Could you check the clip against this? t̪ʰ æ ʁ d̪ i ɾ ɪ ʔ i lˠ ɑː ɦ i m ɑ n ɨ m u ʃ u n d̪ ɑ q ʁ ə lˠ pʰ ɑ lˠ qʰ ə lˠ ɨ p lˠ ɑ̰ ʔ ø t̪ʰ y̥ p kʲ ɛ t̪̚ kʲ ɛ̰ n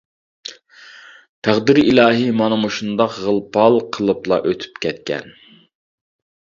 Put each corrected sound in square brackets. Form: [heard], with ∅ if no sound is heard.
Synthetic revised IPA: t̪ʰ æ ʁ d̪ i ɾ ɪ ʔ i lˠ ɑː ɦ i m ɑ n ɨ m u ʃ u n d̪ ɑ q ʁ ə lˠ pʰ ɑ lˠ qʰ ə lˠ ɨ p lˠ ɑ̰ ʔ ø t̪ʰ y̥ p kʲ ɛ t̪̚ kʲ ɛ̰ n